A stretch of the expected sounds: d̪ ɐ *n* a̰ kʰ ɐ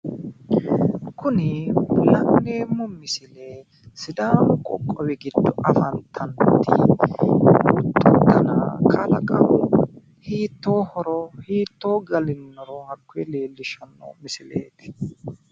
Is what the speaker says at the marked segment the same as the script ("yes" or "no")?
yes